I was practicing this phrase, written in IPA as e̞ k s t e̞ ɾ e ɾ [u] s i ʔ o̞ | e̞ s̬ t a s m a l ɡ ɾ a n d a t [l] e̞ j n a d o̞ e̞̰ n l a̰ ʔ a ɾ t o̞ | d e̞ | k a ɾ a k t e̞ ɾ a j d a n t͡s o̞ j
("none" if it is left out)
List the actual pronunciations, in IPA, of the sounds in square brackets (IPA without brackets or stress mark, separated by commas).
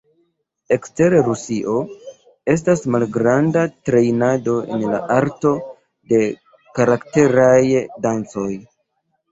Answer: u, ɾ